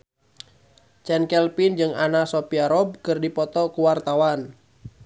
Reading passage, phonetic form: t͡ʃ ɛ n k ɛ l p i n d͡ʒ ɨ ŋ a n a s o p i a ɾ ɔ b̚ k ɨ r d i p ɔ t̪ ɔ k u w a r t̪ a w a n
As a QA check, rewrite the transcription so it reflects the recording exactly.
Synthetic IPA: t͡ʃ ɛ n k ɛ l p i n d͡ʒ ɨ ŋ a n a s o p i a ɾ ɔ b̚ k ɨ r d i p ɔ t̪ ɔ k u w a r t̪ a w a n